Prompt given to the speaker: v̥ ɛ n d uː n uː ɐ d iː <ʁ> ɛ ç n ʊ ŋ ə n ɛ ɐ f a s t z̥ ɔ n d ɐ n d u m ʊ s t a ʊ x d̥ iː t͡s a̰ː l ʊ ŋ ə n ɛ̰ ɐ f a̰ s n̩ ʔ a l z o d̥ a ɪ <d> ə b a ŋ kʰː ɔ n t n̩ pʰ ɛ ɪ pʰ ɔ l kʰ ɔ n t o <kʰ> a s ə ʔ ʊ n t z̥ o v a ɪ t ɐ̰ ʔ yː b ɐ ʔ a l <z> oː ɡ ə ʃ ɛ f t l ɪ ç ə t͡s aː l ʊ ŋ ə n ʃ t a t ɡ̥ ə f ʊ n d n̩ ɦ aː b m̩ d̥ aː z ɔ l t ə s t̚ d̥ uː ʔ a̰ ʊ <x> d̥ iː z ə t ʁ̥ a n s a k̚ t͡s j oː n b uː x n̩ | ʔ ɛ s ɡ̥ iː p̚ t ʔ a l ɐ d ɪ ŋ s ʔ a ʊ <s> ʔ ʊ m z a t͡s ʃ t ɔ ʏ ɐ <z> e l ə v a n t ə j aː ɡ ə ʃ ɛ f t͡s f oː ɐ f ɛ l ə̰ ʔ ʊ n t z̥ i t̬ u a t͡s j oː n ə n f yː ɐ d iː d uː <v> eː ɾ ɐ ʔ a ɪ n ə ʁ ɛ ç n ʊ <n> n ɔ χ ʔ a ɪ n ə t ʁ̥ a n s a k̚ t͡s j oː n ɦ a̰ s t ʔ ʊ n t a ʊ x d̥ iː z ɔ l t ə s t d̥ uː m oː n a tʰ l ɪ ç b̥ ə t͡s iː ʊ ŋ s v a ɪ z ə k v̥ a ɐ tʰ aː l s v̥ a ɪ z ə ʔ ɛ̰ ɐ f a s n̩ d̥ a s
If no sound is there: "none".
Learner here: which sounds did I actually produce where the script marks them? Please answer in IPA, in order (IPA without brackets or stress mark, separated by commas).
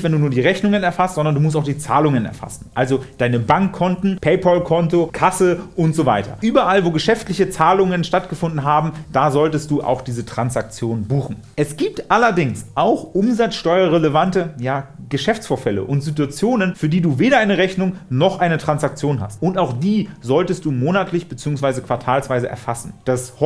ʁ, n, kʰ, v, x, x, ʁ, v, ŋ